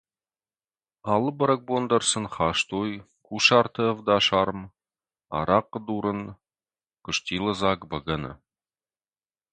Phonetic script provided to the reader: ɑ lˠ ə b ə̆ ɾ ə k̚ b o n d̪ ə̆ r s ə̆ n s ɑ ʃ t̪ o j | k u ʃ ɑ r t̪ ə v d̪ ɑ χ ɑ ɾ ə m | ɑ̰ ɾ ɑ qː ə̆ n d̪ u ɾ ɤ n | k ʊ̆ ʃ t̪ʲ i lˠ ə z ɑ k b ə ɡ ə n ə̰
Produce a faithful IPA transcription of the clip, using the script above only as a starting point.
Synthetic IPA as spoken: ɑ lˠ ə b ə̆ ɾ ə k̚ b o n d̪ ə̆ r s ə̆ n χ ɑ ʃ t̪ o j | k u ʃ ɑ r t̪ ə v d̪ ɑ ʃ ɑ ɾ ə m | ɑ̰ ɾ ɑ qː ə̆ d̪ u ɾ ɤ n | k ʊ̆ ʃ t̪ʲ i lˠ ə z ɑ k b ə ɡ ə n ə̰